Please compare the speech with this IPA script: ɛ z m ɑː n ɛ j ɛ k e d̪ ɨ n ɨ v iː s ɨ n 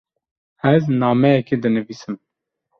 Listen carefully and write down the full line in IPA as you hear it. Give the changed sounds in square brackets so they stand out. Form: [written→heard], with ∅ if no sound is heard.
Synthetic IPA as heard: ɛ z [m→n] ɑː [n→m] ɛ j ɛ k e d̪ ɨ n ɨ v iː s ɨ [n→m]

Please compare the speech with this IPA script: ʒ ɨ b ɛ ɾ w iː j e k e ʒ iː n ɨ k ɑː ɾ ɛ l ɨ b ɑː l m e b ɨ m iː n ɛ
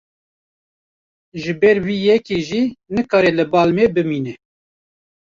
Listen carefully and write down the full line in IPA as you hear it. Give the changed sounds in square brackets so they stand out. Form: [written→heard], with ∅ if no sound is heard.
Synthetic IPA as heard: ʒ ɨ b ɛ ɾ w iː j [e→ɛ] k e ʒ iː n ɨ k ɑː ɾ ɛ l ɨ b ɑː l m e b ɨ m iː n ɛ

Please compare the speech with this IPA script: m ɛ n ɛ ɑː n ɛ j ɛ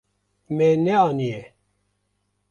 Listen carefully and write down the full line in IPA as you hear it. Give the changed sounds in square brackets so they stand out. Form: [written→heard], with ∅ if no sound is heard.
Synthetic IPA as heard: m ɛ n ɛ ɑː n [ɛ→i] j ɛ

